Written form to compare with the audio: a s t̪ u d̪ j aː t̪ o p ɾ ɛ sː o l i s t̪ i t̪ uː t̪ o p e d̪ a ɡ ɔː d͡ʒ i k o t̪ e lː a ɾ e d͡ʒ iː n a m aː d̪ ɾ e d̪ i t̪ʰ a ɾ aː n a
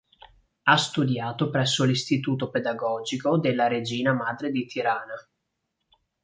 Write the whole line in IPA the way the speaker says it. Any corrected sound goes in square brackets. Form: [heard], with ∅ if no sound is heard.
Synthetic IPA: a s t̪ u d̪ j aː t̪ o p ɾ ɛ sː o l i s t̪ i t̪ uː t̪ o p e d̪ a ɡ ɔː d͡ʒ i k o [d̪] e lː a ɾ e d͡ʒ iː n a m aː d̪ ɾ e d̪ i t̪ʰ [i] ɾ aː n a